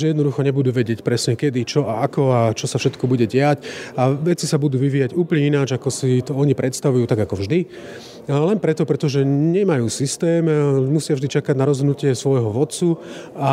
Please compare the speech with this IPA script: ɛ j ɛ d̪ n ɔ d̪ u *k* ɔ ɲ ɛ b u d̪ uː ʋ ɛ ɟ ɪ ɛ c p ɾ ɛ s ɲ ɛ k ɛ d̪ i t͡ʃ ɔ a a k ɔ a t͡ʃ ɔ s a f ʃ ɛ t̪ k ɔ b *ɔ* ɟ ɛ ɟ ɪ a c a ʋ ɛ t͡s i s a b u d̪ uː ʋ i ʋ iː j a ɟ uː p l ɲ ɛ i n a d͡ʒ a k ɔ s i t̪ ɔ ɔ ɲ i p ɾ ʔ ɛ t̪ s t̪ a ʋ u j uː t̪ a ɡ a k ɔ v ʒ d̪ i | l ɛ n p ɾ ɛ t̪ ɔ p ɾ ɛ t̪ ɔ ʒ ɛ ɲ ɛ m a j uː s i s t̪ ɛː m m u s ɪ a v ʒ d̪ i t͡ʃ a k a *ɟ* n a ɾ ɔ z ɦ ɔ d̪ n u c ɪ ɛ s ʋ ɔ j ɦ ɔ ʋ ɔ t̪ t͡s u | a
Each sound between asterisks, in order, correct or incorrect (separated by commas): incorrect, incorrect, correct